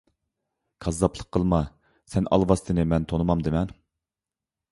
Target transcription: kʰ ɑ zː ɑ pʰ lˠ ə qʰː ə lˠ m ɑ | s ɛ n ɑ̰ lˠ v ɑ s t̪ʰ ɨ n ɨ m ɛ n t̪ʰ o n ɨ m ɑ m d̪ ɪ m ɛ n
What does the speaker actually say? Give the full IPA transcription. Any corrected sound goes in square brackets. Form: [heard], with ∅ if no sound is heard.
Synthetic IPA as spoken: kʰ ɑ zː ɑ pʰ lˠ ə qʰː ə lˠ m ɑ | s ɛ n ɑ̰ lˠ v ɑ s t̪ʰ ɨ n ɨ m ɛ n t̪ʰ o n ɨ m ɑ m d̪ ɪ m ɛ n

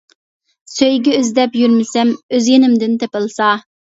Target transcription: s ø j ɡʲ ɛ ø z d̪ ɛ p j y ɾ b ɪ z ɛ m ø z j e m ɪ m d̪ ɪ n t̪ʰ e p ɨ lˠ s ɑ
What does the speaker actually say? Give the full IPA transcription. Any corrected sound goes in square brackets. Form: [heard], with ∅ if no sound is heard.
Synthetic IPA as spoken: s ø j ɡʲ ɛ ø z d̪ ɛ p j y ɾ [m] ɪ [s] ɛ m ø z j e [n] ɪ m d̪ ɪ n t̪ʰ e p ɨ lˠ s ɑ

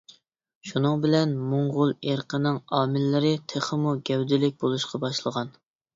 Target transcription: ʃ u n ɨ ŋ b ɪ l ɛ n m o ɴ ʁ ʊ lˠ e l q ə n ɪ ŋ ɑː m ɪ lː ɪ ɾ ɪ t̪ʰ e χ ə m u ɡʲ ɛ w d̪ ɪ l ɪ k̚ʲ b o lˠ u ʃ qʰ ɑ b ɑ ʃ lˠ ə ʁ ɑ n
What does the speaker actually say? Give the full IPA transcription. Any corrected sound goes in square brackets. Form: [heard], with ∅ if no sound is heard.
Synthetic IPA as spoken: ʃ u n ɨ ŋ b ɪ l ɛ n m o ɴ ʁ ʊ lˠ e [ɾ] q ə n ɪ ŋ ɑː m ɪ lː ɪ ɾ ɪ t̪ʰ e χ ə m u ɡʲ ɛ w d̪ ɪ l ɪ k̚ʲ b o lˠ u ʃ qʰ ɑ b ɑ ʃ lˠ ə ʁ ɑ n

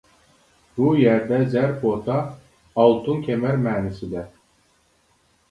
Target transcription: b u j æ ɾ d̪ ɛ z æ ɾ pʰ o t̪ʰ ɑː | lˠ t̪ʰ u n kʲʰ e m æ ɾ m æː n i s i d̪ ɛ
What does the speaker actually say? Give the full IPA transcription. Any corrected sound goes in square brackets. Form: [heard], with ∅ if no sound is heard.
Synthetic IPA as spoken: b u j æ ɾ d̪ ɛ z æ ɾ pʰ o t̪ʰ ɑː | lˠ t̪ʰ u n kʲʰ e m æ ɾ m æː n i s i d̪ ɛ

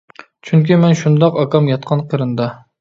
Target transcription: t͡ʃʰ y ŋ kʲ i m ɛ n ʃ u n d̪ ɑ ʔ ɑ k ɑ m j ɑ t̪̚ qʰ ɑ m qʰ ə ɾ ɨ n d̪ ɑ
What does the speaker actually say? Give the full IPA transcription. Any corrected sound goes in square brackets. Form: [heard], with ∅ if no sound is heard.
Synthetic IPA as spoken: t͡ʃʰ y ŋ kʲ i m ɛ n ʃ u n d̪ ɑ [q] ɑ k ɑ m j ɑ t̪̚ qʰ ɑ [n] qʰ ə ɾ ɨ n d̪ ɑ

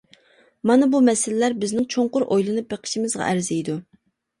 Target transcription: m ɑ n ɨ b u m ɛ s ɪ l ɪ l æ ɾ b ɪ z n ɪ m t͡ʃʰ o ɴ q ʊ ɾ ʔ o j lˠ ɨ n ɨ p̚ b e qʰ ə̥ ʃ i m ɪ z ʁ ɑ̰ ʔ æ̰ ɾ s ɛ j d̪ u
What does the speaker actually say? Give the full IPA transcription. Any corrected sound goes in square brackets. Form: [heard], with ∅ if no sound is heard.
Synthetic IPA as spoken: m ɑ n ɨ b u m ɛ s ɪ l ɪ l æ ɾ b ɪ z n ɪ [ŋ] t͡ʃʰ o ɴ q ʊ ɾ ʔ o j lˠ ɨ n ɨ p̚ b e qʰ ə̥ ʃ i m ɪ z ʁ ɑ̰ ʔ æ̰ ɾ [z] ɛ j d̪ u

